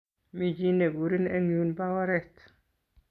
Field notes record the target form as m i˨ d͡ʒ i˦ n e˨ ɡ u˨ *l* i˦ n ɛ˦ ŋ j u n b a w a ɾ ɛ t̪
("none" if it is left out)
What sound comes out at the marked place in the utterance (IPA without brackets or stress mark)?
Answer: ɾ